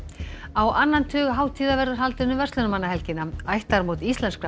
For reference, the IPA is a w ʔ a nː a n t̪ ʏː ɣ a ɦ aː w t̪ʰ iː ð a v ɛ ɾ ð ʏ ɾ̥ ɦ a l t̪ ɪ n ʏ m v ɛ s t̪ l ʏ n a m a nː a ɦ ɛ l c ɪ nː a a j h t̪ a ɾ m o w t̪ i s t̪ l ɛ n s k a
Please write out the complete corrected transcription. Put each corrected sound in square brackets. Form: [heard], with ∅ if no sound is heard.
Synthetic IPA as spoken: a w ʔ a nː a n [t̪ʰ] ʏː ɣ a ɦ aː w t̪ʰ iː ð a v ɛ ɾ ð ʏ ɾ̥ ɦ a l t̪ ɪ n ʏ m v ɛ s t̪ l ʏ n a m a nː a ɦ ɛ l c ɪ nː a a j h t̪ a ɾ m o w t̪ i s t̪ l ɛ n s k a